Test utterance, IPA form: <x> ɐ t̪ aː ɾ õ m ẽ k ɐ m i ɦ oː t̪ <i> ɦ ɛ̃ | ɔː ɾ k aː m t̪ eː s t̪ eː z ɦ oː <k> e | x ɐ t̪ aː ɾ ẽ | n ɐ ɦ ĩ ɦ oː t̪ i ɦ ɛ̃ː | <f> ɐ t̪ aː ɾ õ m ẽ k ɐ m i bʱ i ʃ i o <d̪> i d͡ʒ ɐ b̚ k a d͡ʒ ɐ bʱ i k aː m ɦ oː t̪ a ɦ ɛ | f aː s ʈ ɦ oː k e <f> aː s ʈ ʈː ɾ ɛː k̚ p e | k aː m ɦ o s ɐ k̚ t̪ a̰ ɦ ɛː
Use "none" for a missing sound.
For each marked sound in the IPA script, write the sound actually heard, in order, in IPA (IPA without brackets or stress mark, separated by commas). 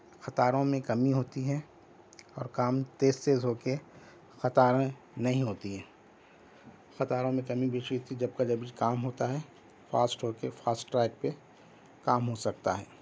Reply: x, i, k, x, t̪, f